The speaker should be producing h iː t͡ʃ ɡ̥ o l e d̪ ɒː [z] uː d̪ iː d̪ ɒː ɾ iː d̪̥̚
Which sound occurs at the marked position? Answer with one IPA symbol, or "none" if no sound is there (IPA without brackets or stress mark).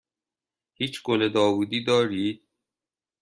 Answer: v